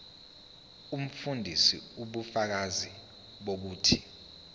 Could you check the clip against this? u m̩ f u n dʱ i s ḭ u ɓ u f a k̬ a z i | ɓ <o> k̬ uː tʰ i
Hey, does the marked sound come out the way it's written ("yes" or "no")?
yes